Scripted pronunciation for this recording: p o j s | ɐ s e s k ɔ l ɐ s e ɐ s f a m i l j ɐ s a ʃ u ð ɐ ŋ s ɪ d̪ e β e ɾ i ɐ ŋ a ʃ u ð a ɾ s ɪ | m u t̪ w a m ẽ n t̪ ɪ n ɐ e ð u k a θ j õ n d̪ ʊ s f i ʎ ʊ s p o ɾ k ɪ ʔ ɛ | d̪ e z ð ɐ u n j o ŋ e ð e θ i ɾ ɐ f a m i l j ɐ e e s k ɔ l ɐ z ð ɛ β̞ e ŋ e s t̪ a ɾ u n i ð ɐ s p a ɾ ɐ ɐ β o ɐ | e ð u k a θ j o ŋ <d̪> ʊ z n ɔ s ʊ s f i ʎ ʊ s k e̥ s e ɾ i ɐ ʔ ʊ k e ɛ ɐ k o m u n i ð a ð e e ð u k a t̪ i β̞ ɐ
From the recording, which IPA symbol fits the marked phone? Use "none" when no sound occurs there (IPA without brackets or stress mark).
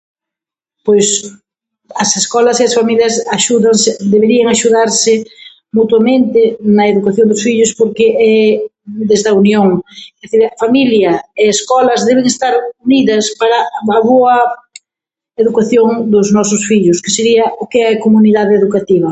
d̪